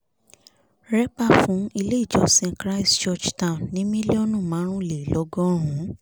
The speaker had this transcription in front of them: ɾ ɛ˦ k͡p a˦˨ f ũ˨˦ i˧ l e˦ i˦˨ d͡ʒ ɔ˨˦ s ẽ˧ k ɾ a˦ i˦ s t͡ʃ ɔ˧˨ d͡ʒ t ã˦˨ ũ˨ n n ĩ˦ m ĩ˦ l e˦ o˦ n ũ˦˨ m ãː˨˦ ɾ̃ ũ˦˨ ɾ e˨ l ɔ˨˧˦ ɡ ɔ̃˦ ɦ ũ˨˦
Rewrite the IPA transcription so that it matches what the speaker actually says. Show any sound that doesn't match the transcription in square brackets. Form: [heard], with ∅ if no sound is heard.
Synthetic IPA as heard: ɾ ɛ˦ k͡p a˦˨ f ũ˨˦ i˧ l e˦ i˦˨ d͡ʒ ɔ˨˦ s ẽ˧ k ɾ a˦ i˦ s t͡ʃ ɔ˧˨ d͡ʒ t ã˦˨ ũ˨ n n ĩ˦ m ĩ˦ l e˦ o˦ n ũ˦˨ m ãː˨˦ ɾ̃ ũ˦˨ [l] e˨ l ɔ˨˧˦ ɡ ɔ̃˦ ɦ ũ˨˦